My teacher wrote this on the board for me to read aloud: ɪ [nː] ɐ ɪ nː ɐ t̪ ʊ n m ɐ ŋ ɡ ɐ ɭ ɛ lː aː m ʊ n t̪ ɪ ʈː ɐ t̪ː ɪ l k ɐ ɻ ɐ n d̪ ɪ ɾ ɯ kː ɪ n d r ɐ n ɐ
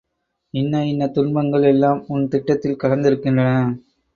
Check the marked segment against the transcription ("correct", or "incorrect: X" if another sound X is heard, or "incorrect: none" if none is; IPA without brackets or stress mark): correct